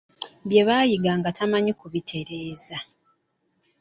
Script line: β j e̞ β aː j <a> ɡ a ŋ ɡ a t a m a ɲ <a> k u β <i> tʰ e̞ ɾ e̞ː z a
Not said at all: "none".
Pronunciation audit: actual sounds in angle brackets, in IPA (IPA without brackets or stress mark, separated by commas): i, i, i